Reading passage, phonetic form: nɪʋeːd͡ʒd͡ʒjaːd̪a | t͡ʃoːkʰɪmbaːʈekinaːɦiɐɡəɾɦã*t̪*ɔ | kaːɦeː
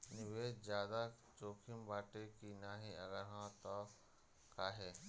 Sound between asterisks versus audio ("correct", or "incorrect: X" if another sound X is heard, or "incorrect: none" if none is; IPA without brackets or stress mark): correct